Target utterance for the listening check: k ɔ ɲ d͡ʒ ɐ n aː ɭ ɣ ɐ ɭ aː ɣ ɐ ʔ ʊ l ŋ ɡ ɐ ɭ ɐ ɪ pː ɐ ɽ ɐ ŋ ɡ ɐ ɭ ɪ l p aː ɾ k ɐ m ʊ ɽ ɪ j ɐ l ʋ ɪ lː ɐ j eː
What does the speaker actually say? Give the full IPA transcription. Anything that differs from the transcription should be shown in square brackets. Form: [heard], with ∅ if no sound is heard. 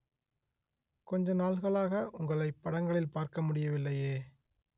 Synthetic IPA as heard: k ɔ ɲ d͡ʒ ɐ n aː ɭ ɣ ɐ ɭ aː ɣ ɐ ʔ ʊ [∅] ŋ ɡ ɐ ɭ ɐ ɪ pː ɐ ɽ ɐ ŋ ɡ ɐ ɭ ɪ l p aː ɾ k ɐ m ʊ ɽ ɪ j ɐ [∅] ʋ ɪ lː ɐ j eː